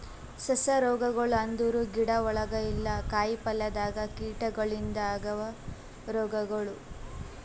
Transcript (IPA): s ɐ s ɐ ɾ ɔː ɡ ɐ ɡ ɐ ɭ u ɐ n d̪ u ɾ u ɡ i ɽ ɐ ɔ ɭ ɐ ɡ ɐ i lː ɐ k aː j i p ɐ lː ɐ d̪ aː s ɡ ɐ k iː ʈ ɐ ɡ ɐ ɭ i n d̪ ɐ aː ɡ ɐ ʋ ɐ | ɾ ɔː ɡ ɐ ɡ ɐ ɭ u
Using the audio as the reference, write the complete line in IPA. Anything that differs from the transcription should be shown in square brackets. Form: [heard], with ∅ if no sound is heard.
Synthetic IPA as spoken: s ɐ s ɐ ɾ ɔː ɡ ɐ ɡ ɐ ɭ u ɐ n d̪ u ɾ u ɡ i ɽ ɐ ɔ ɭ ɐ ɡ ɐ i lː ɐ k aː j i p ɐ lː ɐ d̪ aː [∅] ɡ ɐ k iː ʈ ɐ ɡ ɐ ɭ i n d̪ ɐ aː ɡ ɐ ʋ ɐ | ɾ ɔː ɡ ɐ ɡ ɐ ɭ u